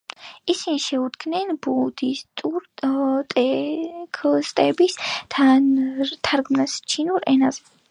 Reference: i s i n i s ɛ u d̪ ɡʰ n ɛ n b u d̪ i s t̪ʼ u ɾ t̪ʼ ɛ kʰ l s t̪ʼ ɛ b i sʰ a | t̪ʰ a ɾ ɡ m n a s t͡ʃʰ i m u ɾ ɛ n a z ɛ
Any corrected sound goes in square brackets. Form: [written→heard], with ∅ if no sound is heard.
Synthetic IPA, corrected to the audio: i s i n i [s→ʃ] ɛ u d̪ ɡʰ n ɛ n b u d̪ i s t̪ʼ u ɾ t̪ʼ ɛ kʰ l s t̪ʼ ɛ b i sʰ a | t̪ʰ a ɾ ɡ m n a s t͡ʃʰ i [m→n] u ɾ ɛ n a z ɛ